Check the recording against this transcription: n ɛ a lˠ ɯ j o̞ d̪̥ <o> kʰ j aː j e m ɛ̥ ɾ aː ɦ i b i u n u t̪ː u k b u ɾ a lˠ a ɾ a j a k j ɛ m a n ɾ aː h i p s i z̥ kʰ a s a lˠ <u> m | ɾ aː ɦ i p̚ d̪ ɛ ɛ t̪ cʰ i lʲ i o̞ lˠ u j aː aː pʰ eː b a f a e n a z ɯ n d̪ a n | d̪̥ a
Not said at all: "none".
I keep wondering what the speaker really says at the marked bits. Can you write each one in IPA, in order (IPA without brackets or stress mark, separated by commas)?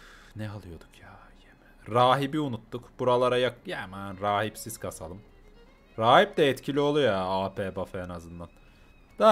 u, ɯ